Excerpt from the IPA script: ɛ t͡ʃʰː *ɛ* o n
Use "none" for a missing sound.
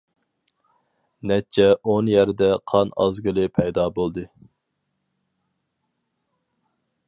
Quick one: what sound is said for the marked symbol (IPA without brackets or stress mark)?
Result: ɛ